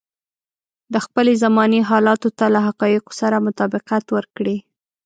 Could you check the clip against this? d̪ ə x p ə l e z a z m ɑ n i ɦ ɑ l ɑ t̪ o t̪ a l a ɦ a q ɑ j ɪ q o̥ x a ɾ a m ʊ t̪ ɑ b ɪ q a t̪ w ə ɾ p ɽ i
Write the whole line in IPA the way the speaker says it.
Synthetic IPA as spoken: d̪ ə x p ə l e z a m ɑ n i ɦ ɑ l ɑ t̪ o t̪ a l a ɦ a q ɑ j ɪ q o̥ s a ɾ a m ʊ t̪ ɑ b ɪ q a t̪ w ə ɾ k ɽ i